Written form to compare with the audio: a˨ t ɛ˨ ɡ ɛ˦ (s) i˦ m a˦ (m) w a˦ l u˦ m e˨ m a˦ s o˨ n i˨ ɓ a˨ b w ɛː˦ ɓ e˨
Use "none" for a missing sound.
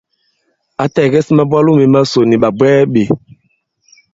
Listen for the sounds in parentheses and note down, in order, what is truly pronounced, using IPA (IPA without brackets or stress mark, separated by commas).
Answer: s, b